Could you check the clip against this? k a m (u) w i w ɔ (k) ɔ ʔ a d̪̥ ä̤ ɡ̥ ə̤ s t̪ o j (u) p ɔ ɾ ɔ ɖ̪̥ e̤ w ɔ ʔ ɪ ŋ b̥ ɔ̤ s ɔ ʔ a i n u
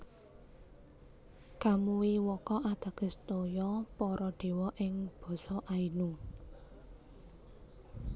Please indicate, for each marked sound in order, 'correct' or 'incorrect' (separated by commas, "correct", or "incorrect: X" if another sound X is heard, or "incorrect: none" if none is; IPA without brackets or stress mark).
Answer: correct, correct, incorrect: ɔ